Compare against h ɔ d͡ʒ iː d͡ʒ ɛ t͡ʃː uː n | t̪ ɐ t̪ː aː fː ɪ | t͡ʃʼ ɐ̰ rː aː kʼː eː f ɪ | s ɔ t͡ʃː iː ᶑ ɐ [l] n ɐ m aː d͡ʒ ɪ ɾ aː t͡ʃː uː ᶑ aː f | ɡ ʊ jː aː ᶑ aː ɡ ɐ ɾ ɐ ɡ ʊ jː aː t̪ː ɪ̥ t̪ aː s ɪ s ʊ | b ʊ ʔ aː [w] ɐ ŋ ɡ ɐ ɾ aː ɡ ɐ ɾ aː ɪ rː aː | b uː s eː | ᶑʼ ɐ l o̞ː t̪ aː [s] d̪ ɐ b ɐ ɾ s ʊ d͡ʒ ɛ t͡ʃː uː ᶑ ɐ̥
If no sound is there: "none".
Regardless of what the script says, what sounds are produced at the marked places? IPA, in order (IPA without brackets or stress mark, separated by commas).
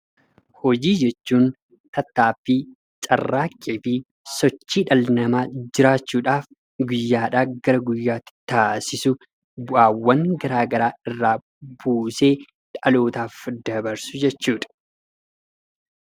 l, wː, f